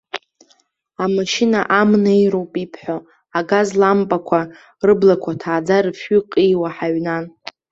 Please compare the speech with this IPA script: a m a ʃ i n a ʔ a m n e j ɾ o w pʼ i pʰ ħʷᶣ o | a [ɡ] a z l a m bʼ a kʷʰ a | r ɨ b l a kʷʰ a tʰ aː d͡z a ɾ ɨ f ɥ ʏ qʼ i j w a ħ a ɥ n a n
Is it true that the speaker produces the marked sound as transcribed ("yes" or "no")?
yes